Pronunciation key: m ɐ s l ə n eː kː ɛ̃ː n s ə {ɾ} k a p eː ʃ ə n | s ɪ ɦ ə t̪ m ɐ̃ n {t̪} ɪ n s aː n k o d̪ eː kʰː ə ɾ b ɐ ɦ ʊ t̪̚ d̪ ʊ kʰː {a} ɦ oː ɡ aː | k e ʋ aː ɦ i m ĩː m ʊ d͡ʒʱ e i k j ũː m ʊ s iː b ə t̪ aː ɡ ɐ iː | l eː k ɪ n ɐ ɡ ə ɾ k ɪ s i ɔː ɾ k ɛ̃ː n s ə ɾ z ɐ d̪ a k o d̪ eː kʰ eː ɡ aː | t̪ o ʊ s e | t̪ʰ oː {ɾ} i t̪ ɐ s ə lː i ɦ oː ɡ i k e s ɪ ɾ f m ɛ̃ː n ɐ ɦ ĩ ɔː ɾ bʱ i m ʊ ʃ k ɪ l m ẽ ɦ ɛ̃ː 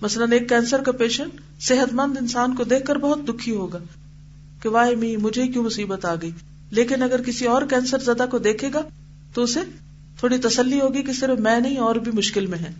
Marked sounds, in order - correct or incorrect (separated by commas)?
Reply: correct, incorrect, incorrect, incorrect